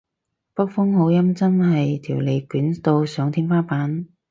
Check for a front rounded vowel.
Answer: present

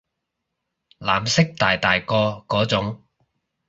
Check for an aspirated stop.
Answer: absent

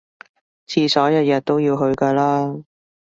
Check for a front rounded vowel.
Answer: absent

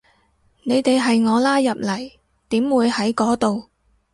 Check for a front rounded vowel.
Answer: absent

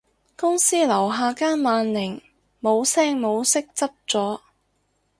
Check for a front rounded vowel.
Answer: absent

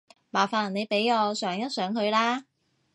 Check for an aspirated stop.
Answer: absent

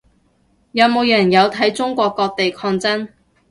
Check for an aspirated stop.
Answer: present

